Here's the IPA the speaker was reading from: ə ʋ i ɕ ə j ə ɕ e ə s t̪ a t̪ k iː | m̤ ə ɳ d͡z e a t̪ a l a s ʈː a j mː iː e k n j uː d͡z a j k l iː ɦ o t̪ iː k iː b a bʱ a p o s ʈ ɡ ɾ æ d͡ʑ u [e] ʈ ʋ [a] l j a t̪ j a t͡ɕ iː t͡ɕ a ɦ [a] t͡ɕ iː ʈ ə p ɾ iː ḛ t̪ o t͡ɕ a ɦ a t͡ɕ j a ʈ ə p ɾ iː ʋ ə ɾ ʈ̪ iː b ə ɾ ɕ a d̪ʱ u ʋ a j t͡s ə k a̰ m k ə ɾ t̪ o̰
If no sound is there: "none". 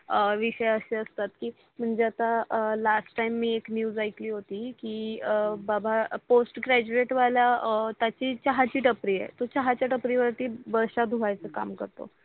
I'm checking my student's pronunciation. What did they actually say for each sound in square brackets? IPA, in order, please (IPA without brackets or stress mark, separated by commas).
e, a, a